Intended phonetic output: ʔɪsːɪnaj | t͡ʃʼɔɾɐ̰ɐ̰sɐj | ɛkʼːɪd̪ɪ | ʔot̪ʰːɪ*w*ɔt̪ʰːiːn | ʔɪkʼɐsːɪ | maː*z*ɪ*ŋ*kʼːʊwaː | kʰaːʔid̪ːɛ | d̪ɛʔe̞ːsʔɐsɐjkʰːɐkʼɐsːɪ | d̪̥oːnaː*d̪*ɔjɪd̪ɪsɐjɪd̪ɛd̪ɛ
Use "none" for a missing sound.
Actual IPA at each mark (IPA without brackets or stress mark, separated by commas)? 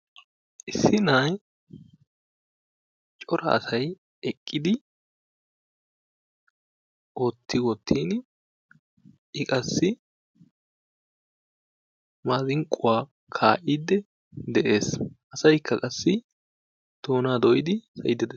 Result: w, z, ŋ, d̪